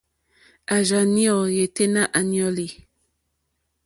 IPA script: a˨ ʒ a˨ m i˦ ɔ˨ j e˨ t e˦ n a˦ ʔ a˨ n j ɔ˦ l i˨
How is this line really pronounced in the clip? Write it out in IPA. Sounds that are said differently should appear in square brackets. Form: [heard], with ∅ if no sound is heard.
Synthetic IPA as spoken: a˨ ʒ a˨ [n] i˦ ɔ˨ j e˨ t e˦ n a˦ ʔ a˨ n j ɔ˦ l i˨